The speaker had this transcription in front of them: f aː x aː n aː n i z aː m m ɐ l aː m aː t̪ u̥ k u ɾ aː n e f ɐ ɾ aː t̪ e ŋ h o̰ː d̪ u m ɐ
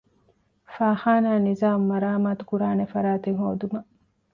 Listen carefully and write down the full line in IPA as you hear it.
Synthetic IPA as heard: f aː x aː n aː n i z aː m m ɐ ɾ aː m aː t̪ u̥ k u ɾ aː n e f ɐ ɾ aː t̪ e ŋ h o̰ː d̪ u m ɐ